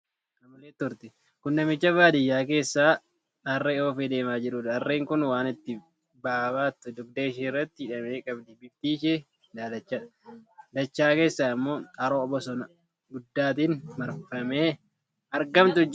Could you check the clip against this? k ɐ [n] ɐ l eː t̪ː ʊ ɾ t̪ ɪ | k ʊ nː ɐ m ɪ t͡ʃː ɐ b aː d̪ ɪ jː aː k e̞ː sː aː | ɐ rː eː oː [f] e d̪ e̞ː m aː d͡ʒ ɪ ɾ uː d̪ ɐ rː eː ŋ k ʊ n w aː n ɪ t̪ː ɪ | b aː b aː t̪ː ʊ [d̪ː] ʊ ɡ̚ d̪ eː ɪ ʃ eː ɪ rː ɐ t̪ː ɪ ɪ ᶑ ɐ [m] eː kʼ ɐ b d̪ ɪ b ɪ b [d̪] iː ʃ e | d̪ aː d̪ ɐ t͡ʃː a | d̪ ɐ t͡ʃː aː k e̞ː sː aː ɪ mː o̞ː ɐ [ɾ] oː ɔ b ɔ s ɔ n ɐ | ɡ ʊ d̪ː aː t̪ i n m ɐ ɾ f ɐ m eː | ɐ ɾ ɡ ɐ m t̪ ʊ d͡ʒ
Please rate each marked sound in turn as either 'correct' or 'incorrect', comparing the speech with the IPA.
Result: incorrect, correct, incorrect, correct, incorrect, correct

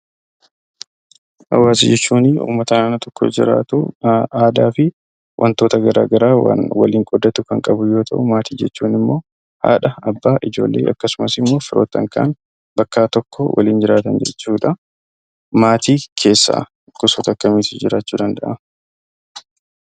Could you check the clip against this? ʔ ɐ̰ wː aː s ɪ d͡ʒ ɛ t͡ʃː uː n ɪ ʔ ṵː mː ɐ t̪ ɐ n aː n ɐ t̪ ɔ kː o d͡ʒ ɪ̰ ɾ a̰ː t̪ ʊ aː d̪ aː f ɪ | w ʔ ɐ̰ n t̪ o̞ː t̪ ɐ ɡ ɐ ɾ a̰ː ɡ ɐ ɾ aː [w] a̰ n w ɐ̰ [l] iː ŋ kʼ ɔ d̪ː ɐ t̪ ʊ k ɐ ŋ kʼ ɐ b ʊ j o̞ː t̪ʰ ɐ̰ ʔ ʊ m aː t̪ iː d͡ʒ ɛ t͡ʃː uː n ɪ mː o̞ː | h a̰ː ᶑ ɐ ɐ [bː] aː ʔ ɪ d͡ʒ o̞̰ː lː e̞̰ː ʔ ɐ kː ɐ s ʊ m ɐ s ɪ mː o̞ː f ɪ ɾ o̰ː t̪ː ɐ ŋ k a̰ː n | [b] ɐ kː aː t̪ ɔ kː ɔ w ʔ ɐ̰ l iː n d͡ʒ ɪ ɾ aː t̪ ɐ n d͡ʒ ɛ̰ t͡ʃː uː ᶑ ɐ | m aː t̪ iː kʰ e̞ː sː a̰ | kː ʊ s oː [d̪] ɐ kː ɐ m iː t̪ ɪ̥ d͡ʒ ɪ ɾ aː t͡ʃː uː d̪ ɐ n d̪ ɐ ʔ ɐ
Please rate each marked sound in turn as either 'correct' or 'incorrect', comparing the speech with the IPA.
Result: correct, correct, correct, correct, incorrect

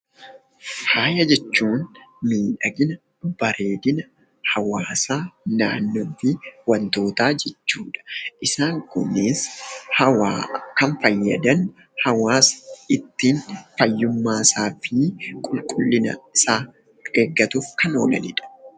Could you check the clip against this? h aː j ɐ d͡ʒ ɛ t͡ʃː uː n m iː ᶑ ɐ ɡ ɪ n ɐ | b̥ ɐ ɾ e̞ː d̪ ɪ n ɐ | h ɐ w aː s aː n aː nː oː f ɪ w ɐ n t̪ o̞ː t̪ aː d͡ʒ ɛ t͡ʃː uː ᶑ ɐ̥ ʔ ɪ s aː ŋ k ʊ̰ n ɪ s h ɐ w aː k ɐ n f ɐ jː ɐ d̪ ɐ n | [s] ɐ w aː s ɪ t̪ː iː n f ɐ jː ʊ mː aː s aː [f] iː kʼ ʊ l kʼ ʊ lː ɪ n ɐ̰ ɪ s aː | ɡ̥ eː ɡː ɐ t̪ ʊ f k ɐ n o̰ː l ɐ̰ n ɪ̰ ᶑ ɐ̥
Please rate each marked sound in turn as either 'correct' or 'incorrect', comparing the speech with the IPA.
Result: incorrect, correct

